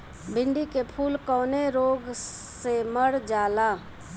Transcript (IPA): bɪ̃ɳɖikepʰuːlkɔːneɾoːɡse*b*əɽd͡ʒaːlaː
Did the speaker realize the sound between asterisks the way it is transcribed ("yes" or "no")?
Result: no